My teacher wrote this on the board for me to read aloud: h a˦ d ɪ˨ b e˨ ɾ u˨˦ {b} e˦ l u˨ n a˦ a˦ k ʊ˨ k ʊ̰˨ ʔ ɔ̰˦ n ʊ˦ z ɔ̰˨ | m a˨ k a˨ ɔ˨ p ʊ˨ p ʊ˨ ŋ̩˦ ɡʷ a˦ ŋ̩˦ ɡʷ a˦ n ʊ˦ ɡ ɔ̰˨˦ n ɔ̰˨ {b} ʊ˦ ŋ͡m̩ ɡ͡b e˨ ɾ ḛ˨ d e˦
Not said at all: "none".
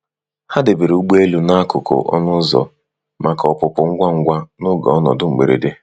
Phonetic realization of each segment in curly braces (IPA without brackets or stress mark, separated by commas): ɡ͡b, d